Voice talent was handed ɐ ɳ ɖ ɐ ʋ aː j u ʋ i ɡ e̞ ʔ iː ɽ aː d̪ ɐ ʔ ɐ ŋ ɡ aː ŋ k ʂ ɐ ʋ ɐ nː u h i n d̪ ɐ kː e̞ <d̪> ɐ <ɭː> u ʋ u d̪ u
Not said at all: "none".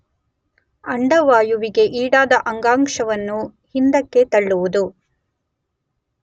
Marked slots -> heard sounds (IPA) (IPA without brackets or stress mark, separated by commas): t̪, ɭː